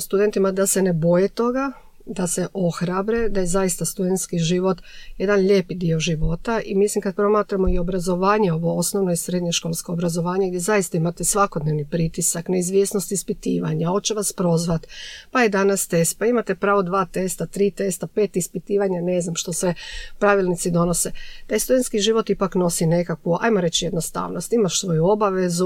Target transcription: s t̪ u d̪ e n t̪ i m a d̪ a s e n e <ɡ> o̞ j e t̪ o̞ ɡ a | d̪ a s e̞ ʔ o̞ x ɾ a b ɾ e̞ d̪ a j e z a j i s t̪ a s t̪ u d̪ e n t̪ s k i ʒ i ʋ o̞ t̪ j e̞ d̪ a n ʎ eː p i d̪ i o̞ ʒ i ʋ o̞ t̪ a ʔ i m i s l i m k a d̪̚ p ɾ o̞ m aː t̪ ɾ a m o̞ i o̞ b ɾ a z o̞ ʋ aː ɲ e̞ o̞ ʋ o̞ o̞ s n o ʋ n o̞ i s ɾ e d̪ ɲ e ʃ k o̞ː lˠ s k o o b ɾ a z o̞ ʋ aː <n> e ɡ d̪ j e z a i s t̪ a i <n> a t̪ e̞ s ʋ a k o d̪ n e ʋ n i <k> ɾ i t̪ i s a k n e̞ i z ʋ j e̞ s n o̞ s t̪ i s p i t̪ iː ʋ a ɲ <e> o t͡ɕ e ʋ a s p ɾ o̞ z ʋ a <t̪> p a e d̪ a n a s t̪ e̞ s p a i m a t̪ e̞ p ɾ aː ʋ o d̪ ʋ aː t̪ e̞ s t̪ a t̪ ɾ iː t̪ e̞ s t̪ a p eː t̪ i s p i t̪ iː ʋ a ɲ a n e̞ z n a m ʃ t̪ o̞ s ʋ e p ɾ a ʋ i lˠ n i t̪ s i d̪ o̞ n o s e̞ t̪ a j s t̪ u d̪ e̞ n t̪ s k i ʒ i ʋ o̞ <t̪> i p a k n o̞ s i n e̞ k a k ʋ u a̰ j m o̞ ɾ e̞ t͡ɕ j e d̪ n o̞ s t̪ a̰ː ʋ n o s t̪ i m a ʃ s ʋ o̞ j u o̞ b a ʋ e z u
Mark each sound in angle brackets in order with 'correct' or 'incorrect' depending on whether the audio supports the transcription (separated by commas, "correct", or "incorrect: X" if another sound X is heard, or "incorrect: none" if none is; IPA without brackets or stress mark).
incorrect: b, incorrect: ɲ, incorrect: m, incorrect: p, incorrect: a, correct, correct